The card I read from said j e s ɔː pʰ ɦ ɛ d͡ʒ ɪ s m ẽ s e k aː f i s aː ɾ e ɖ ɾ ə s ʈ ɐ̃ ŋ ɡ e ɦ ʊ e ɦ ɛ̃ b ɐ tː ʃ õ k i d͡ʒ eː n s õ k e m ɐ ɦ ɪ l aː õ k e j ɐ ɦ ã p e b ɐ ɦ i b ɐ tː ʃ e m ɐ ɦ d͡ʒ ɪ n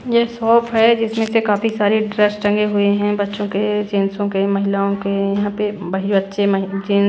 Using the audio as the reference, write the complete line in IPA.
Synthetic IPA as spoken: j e s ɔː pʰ ɦ ɛ d͡ʒ ɪ s m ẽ s e k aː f i s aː ɾ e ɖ ɾ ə s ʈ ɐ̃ ŋ ɡ e ɦ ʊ e ɦ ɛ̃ b ɐ tː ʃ õ k e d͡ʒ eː n s õ k e m ɐ ɦ ɪ l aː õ k e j ɐ ɦ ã p e b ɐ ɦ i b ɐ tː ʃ e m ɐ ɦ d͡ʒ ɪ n